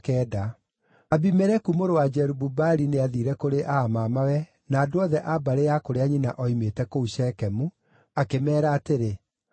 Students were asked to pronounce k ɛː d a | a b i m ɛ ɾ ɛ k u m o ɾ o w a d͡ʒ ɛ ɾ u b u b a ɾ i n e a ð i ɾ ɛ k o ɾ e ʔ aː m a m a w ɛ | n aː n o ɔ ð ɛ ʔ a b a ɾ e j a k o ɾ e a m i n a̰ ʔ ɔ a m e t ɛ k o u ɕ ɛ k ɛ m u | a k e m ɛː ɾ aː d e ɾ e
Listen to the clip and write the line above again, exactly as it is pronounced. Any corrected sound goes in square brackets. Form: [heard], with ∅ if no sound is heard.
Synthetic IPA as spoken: k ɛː d a | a b i m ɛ ɾ ɛ k u m o ɾ o w a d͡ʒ ɛ ɾ u b u b a ɾ i n e a ð i ɾ ɛ k o ɾ e ʔ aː m a m a w ɛ | n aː [d] o ɔ ð ɛ ʔ a b a ɾ e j a k o ɾ e a [ɲ] i n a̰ ʔ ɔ [i] m e t ɛ k o u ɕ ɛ k ɛ m u | a k e m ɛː ɾ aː [t] e ɾ e